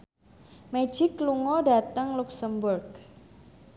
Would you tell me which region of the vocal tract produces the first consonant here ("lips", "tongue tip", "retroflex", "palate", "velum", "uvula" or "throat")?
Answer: lips